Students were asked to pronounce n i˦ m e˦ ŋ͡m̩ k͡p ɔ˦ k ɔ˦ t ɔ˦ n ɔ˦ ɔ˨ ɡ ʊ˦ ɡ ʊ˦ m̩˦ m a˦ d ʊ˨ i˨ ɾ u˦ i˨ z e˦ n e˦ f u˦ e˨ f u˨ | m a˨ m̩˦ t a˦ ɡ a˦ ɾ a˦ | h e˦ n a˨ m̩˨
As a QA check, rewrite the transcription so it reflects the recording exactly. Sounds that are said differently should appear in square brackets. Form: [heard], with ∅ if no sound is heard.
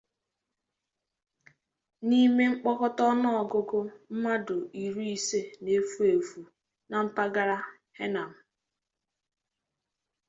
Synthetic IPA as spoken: n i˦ m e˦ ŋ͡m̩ k͡p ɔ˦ k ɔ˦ t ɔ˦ n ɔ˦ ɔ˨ ɡ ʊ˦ ɡ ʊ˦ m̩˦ m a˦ d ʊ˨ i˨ ɾ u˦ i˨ [s] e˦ n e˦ f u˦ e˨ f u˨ | [n] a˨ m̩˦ [p] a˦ ɡ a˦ ɾ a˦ | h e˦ n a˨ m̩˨